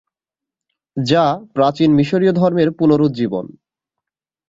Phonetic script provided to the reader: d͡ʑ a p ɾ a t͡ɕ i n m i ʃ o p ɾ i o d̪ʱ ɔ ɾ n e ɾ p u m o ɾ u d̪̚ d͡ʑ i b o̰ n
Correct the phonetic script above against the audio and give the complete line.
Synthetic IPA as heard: d͡ʑ a p ɾ a t͡ɕ i n m i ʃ o ɾ i o d̪ʱ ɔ ɾ m e ɾ p u n o ɾ u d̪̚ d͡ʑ i b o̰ n